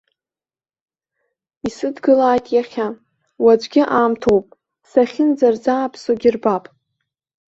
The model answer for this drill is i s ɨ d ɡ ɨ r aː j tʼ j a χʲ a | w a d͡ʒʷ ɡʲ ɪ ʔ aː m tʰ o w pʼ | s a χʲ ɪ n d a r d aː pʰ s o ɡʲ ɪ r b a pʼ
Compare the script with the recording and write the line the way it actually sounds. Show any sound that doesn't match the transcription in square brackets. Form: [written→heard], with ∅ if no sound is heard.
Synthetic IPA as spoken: i s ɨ d ɡ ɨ [r→l] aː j tʼ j a χʲ a | w a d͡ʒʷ ɡʲ ɪ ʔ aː m tʰ o w pʼ | s a χʲ ɪ n [d→d͡z] a r [d→d͡z] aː pʰ s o ɡʲ ɪ r b a pʼ